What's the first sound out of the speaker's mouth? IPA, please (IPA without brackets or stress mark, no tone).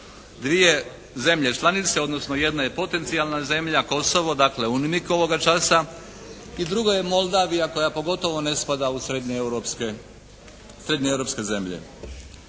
d̪